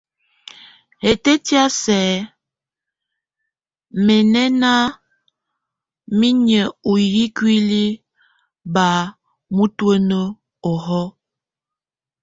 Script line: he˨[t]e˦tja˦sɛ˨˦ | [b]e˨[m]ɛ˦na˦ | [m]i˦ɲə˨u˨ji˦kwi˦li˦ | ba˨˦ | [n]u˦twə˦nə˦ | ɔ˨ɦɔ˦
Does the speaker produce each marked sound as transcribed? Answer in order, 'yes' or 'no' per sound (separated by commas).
yes, no, no, yes, no